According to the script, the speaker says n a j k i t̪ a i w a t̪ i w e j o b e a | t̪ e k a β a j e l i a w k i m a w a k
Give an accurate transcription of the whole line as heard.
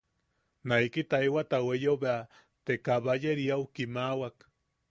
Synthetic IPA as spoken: n a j k i t̪ a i w a t̪ a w e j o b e a | t̪ e k a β a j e ɾ i a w k i m a w a k